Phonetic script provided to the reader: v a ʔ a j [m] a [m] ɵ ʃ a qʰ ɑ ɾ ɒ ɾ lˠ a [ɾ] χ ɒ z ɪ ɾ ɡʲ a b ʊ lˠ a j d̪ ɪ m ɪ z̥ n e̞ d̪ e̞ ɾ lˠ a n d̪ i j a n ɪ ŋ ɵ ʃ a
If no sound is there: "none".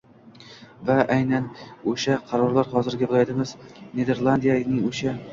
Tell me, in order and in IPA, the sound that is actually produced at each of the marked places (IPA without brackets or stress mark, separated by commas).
n, n, ɾ